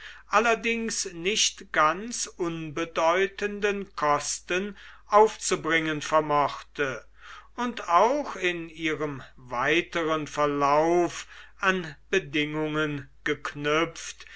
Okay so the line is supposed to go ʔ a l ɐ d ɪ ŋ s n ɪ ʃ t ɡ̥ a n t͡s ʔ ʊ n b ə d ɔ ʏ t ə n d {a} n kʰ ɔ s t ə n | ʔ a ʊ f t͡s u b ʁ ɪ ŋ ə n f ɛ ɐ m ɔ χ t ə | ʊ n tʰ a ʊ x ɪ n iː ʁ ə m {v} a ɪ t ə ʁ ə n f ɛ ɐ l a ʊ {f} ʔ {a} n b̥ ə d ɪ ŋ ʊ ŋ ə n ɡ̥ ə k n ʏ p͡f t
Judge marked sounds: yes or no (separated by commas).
no, yes, yes, yes